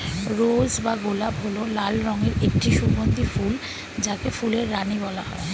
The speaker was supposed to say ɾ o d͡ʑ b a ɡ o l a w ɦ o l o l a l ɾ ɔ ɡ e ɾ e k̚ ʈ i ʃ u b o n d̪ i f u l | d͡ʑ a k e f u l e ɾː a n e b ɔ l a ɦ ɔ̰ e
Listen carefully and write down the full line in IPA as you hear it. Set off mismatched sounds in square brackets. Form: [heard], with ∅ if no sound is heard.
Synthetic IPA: ɾ o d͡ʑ b a ɡ o l a [b] ɦ o l o l a l ɾ ɔ [ŋ] e ɾ e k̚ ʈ i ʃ u b o n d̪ i f u l | d͡ʑ a k e f u l e ɾː a n [i] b ɔ l a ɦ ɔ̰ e